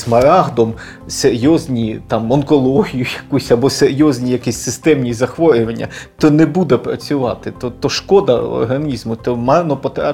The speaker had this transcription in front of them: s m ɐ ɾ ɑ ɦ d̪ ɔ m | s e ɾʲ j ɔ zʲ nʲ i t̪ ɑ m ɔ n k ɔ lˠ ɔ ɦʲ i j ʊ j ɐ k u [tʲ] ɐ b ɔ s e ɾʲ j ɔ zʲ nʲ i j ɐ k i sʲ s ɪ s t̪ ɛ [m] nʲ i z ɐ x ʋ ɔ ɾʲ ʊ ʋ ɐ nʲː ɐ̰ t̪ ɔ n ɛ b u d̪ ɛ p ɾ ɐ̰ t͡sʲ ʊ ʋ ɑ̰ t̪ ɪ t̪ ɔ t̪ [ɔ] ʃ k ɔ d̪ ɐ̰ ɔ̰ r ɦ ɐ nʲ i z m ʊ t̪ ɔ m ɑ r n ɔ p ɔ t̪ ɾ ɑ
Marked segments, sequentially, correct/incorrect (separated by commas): incorrect, correct, correct